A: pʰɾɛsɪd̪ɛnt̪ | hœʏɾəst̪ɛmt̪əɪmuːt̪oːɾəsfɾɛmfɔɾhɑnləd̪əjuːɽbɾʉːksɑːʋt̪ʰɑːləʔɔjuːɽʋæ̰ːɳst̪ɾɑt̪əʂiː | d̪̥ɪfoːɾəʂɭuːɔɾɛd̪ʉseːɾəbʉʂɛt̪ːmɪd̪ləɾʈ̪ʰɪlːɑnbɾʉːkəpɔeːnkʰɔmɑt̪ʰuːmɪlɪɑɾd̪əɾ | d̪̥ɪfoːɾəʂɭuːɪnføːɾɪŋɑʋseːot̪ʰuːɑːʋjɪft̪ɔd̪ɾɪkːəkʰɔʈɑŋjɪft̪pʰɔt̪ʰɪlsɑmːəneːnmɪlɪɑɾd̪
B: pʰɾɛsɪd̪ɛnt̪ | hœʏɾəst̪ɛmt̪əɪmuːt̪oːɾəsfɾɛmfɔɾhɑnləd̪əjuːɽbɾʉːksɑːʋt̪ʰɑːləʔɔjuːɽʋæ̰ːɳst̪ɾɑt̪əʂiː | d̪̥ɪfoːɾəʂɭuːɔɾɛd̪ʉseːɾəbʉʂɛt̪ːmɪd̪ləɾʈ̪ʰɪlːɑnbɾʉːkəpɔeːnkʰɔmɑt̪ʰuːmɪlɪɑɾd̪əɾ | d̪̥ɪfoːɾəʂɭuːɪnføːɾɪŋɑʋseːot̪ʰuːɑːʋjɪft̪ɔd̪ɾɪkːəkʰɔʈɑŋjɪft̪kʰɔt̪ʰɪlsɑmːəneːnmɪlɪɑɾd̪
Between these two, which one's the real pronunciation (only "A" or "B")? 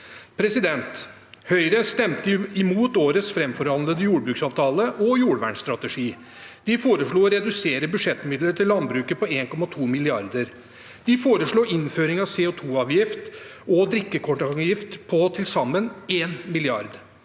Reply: A